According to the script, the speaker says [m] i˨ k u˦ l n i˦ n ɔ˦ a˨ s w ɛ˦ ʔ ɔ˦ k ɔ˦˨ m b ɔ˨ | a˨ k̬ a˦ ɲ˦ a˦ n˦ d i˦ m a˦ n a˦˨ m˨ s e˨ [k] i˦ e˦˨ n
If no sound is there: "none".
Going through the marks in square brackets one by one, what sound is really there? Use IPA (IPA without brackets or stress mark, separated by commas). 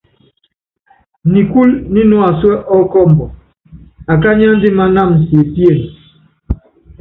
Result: n, p